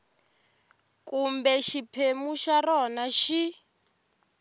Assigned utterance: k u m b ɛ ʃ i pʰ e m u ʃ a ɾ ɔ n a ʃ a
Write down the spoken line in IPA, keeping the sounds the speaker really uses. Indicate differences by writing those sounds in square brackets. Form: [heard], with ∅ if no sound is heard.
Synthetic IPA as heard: k u m b ɛ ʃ i pʰ e m u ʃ a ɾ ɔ n a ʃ [i]